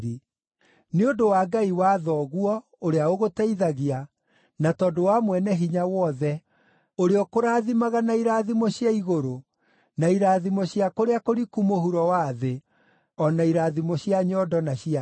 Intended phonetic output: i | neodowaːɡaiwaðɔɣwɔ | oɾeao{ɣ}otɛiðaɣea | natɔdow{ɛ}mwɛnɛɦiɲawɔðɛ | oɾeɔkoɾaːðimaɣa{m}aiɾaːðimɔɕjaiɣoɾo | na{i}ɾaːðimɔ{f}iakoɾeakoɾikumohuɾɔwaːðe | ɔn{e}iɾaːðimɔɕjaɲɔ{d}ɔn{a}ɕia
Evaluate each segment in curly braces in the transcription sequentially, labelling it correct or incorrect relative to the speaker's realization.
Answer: correct, incorrect: a, incorrect: n, correct, incorrect: ɕ, incorrect: a, correct, correct

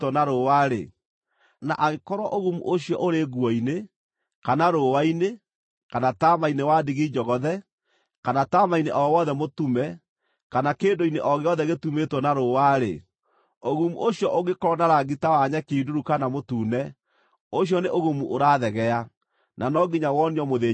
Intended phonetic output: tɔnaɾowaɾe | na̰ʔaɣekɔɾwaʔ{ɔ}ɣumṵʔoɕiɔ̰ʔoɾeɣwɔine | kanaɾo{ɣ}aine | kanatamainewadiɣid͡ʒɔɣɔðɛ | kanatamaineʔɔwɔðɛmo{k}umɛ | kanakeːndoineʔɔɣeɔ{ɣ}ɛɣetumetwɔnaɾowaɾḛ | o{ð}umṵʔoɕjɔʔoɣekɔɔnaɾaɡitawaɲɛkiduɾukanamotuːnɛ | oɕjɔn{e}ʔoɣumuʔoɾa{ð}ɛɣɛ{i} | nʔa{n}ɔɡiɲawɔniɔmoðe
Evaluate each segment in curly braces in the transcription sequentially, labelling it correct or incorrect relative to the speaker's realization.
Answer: incorrect: o, incorrect: w, incorrect: t, incorrect: ð, incorrect: ɣ, correct, correct, incorrect: a, correct

